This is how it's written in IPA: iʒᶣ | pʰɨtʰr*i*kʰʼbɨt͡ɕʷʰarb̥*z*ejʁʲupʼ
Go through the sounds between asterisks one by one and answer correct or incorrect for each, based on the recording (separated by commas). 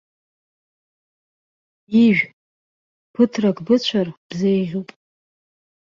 incorrect, correct